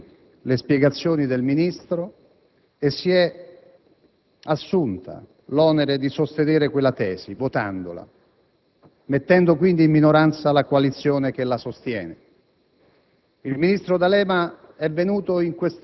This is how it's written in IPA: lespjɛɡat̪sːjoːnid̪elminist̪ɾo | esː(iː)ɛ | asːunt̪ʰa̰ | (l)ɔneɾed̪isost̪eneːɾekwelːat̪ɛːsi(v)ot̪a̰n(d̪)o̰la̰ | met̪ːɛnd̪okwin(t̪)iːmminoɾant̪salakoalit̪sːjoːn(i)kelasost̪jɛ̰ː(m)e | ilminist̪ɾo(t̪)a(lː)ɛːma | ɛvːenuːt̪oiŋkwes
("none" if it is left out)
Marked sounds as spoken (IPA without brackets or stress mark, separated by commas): i, l, v, d̪, d̪, e, n, d̪, l